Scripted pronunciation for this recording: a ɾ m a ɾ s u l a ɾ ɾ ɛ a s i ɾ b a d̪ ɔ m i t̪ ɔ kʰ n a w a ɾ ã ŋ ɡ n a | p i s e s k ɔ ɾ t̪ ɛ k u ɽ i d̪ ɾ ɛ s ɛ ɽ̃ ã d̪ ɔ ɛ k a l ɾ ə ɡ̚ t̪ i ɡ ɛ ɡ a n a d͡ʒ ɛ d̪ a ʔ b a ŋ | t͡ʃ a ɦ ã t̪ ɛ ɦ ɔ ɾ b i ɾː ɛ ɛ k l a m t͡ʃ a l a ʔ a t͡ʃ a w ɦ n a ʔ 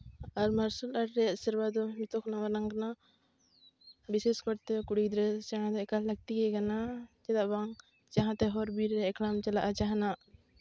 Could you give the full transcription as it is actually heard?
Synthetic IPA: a ɾ m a ɾ s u l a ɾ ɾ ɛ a s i ɾ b a d̪ ɔ m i t̪ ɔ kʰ n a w a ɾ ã ŋ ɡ n a | b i s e s k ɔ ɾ t̪ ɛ k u ɽ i d̪ ɾ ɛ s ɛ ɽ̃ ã d̪ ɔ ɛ k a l l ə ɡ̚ t̪ i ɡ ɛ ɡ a n a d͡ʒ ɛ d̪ a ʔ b a ŋ | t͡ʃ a ɦ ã t̪ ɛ ɦ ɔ ɾ b i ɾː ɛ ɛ k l a m t͡ʃ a l a ʔ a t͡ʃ a ɦ n a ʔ